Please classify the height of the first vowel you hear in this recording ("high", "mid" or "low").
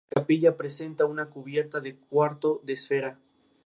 low